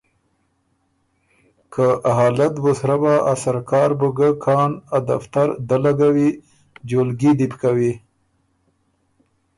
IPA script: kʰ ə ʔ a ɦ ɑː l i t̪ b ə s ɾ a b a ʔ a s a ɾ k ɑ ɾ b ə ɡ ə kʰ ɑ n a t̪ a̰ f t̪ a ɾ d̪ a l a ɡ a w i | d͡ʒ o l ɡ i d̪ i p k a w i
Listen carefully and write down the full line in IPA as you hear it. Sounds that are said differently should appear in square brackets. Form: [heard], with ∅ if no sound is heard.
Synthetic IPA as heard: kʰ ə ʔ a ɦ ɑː l [a] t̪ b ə s ɾ a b a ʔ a s a ɾ k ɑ ɾ b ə ɡ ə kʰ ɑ n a [d̪] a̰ f t̪ a ɾ d̪ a l a ɡ a w i | d͡ʒ o l ɡ i d̪ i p k a w i